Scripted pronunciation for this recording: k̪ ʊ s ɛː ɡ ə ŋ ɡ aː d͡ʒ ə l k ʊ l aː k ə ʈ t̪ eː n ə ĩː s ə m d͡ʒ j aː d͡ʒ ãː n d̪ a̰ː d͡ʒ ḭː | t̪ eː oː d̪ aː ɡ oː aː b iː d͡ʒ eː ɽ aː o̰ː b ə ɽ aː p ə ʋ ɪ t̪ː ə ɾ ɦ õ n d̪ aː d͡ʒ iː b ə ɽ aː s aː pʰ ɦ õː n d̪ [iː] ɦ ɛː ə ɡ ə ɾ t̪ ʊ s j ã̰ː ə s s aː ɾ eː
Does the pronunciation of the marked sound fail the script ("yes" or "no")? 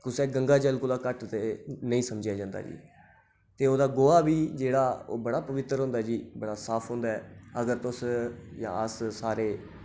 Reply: yes